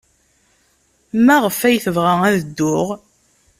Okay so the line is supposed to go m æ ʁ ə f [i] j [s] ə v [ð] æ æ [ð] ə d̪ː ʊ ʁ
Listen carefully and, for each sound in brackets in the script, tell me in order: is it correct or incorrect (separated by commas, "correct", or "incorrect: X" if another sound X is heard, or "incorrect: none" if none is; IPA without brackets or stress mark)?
incorrect: æ, incorrect: θ, incorrect: ʁ, correct